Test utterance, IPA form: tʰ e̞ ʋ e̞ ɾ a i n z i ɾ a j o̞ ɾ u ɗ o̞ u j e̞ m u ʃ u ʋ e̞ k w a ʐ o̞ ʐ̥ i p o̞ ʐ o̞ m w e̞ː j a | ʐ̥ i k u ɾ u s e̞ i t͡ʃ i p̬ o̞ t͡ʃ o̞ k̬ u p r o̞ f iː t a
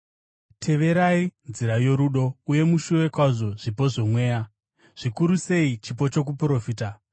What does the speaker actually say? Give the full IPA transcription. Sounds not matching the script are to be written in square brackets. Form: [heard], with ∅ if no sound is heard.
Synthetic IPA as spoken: tʰ e̞ ʋ e̞ ɾ a i n z i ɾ a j o̞ ɾ u ɗ o̞ u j e̞ m u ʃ u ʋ e̞ k w a ʐ o̞ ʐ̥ i p o̞ ʐ o̞ m w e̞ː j a | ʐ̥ i k u ɾ u s e̞ i t͡ʃ i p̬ o̞ t͡ʃ o̞ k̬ u p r o̞ f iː t a